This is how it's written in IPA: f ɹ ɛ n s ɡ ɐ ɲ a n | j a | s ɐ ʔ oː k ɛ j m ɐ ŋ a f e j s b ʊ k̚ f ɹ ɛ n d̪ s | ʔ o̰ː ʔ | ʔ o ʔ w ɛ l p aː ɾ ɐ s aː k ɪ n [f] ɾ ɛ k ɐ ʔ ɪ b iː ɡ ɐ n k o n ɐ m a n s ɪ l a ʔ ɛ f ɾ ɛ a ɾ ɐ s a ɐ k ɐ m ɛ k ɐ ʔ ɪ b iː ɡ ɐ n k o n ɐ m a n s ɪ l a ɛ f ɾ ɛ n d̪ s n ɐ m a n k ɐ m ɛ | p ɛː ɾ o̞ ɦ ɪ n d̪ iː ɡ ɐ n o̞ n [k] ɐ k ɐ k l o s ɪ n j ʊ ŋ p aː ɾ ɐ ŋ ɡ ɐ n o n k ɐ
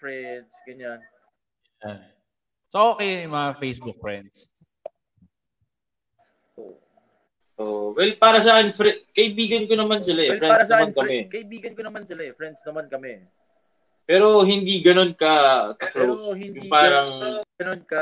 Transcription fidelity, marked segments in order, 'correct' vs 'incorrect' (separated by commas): correct, correct